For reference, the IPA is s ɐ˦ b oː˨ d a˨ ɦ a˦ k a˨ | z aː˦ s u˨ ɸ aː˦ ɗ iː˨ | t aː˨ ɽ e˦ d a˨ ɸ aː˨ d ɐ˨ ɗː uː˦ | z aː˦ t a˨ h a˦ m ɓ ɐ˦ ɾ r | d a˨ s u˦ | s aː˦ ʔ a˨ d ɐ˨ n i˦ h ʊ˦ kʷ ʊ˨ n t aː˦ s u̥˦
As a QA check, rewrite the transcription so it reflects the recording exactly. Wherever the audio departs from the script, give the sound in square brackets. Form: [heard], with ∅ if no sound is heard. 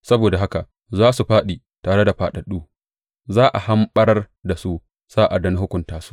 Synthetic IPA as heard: s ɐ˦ b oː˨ d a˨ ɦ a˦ k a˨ | z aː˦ s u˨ ɸ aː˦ ɗ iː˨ | t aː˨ ɽ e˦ d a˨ ɸ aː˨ [ɗ] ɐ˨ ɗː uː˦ | z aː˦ [ʔ] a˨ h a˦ m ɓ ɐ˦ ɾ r | d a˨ s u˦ | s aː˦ ʔ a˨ d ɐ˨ n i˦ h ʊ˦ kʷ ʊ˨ n t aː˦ s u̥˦